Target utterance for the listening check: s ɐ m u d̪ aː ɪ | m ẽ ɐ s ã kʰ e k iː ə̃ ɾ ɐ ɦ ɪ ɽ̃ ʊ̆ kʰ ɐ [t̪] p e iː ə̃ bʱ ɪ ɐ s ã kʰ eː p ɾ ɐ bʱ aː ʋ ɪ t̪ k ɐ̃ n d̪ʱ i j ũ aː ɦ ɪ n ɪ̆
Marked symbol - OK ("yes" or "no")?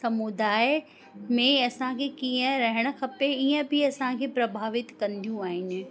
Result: no